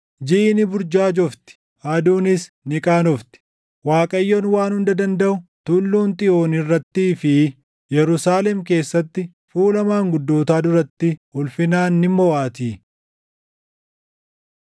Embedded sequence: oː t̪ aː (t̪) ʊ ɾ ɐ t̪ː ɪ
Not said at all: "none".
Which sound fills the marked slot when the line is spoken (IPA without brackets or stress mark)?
d̪